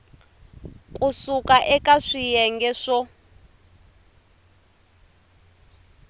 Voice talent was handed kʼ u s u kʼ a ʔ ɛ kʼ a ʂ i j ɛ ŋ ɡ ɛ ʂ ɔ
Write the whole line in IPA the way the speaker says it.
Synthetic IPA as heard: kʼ u s u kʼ a ʔ ɛ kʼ a ʂ i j ɛ ŋ ɡ ɛ ʂ ɔ